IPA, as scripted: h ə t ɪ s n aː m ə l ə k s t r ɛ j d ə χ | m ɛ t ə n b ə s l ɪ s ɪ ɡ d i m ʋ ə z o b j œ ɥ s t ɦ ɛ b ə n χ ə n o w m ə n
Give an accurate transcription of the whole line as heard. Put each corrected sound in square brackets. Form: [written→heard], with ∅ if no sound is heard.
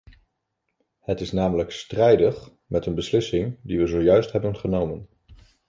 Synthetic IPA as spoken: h ə t ɪ s n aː m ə l ə k s t r ɛ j d ə χ | m ɛ t ə n b ə s l ɪ s ɪ [ɡ→ŋ] d i [m→∅] ʋ ə z o [b→w] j œ ɥ s t ɦ ɛ b ə n χ ə n o w m ə n